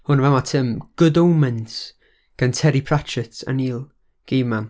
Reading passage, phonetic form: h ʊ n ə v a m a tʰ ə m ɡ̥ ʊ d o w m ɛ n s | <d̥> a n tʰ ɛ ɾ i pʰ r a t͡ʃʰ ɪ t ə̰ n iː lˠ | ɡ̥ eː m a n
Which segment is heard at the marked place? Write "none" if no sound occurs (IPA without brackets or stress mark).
ɡ̥